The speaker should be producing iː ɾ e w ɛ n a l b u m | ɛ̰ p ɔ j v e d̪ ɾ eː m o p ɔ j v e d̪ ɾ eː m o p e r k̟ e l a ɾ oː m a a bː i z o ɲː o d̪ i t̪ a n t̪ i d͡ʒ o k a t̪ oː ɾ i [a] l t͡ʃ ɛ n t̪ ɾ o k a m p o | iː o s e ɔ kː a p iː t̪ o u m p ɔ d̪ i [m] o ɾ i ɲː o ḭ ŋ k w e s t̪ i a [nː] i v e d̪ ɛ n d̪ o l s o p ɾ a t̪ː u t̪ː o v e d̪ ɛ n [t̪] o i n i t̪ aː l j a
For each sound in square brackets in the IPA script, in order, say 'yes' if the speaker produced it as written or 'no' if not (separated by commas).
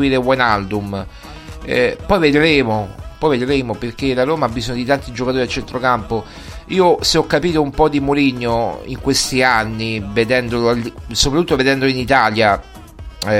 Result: yes, yes, yes, no